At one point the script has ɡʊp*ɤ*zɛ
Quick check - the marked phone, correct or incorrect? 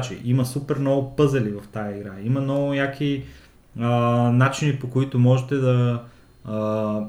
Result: correct